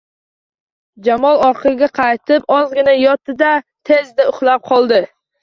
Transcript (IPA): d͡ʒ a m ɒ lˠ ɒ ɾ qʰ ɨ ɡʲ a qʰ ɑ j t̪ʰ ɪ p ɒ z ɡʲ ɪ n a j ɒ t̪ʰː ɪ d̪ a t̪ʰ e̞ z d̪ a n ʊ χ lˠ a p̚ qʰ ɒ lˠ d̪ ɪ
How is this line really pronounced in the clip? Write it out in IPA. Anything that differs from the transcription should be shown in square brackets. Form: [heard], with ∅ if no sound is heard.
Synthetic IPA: d͡ʒ a m ɒ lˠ ɒ ɾ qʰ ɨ ɡʲ a qʰ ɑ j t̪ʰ ɪ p ɒ z ɡʲ ɪ n a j ɒ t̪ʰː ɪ d̪ a t̪ʰ e̞ z d̪ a [∅] ʊ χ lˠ a p̚ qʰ ɒ lˠ d̪ ɪ